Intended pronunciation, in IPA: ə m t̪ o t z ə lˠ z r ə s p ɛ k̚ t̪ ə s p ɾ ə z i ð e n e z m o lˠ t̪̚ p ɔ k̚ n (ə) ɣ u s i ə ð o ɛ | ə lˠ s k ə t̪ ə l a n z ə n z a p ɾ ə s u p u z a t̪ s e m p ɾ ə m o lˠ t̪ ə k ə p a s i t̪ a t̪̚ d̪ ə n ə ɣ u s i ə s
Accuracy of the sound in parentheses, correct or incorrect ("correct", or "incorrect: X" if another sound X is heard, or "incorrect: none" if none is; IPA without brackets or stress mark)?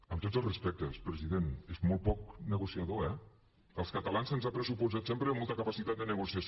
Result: correct